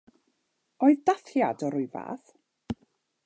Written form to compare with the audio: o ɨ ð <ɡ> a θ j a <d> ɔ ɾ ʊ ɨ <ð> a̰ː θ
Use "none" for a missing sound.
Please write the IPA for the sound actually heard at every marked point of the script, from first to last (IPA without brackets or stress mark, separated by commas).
d, d, v